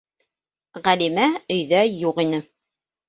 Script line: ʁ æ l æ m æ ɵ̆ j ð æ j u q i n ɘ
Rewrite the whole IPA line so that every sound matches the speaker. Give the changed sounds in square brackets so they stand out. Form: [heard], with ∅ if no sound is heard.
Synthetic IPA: ʁ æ l [i] m æ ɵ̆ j ð æ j u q i n ɘ